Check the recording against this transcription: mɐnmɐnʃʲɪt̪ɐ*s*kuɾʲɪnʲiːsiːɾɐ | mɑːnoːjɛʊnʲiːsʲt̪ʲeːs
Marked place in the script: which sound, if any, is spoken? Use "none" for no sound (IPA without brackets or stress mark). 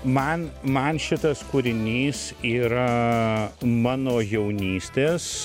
s